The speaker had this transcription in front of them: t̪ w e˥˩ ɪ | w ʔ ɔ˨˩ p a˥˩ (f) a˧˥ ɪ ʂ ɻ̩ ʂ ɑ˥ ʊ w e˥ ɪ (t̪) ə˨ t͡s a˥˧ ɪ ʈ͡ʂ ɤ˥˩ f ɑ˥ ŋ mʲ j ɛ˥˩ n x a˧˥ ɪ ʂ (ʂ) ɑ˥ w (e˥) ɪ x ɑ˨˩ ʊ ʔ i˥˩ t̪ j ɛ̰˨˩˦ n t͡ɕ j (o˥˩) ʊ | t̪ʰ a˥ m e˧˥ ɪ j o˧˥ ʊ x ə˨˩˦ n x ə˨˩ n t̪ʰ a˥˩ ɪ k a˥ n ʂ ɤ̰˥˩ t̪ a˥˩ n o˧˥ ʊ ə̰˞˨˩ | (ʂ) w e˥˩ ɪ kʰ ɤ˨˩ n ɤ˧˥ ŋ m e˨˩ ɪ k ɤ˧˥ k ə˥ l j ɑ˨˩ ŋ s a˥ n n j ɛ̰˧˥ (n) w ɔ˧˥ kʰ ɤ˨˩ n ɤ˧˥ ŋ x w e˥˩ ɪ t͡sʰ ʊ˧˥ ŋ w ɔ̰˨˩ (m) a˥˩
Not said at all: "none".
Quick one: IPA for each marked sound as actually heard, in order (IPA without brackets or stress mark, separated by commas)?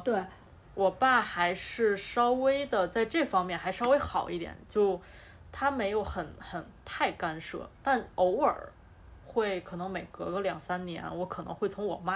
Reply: x, d̪, ʂ, e˥, o˥˩, x, n, m